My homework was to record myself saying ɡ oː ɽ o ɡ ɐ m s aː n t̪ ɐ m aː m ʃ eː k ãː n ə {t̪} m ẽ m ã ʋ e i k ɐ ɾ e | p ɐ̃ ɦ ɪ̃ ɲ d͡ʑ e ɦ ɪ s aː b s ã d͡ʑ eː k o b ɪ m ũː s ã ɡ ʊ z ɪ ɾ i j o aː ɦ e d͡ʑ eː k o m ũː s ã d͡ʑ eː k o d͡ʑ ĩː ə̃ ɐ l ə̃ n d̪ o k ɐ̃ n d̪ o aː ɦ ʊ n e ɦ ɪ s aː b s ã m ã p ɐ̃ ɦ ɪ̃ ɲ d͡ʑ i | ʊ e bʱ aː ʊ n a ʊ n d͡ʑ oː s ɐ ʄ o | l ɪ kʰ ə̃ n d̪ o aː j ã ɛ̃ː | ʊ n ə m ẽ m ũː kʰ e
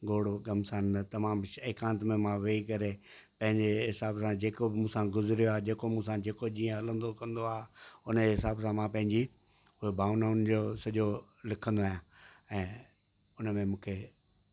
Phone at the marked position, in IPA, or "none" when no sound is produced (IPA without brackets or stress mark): t̪